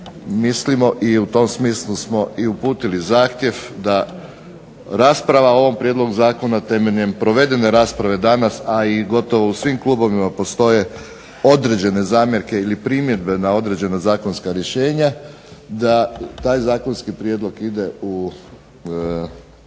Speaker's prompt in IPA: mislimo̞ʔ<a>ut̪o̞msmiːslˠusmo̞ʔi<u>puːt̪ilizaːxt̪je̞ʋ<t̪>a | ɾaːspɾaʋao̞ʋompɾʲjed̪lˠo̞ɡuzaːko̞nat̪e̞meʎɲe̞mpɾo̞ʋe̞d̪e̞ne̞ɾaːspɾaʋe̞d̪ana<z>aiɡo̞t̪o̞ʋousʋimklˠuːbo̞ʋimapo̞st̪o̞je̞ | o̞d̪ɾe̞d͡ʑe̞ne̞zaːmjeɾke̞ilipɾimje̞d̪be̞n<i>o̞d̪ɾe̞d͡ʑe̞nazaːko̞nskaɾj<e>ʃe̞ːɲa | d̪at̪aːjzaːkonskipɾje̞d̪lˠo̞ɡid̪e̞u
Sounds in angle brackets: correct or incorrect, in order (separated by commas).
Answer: incorrect, correct, incorrect, incorrect, incorrect, correct